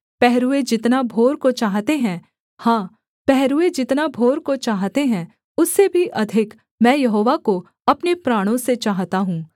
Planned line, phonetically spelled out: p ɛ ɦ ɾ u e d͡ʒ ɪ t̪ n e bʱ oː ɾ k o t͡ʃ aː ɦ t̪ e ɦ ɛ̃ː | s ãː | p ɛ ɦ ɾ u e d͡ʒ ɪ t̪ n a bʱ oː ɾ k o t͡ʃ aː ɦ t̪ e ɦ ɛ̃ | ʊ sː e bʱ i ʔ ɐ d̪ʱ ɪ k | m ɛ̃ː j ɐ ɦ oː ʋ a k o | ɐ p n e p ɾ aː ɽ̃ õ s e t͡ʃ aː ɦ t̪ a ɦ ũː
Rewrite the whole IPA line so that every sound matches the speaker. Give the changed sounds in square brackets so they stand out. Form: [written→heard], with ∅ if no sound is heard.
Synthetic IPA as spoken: p ɛ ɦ ɾ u e d͡ʒ ɪ t̪ n [e→a] bʱ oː ɾ k o t͡ʃ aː ɦ t̪ e ɦ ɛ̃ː | [s→h] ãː | p ɛ ɦ ɾ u e d͡ʒ ɪ t̪ n a bʱ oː ɾ k o t͡ʃ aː ɦ t̪ e ɦ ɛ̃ | ʊ sː e bʱ i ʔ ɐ d̪ʱ ɪ k | m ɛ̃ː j ɐ ɦ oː ʋ a k o | ɐ p n e p ɾ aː ɽ̃ õ s e t͡ʃ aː ɦ t̪ a ɦ ũː